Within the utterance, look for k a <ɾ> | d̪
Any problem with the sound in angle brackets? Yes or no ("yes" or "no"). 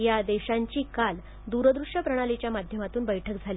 yes